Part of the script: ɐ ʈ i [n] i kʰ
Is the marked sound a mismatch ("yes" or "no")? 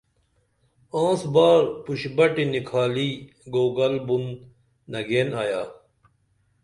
no